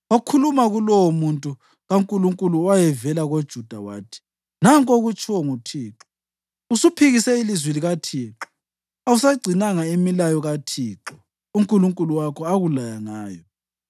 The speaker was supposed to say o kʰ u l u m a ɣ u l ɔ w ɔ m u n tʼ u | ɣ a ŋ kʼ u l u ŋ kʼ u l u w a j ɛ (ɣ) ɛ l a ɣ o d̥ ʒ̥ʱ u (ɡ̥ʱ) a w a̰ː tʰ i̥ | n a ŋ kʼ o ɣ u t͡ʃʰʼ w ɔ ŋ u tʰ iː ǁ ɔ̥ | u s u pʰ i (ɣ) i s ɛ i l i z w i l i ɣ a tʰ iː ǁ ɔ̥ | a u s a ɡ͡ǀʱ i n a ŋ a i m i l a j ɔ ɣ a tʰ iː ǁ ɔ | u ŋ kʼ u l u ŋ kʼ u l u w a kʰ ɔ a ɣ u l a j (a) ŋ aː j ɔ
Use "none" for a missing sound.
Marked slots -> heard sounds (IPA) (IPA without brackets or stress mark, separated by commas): v, d̥ʱ, ɣ, a